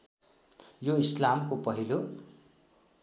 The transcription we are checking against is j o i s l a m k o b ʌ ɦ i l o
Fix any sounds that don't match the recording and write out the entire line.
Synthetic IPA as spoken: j o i s l a m k o p ʌ ɦ i l o